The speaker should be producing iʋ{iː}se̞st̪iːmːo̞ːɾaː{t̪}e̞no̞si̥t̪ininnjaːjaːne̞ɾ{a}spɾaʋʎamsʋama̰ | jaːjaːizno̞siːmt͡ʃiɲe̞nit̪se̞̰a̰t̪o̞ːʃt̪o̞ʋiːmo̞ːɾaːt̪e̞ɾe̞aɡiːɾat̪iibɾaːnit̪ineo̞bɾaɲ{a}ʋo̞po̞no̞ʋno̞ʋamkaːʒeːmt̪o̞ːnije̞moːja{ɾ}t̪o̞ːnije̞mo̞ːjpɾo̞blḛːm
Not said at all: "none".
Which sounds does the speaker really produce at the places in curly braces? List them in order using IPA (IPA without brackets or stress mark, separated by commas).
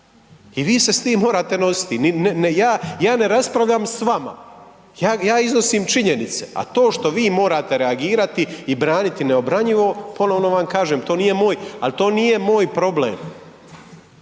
iː, t̪, a, i, l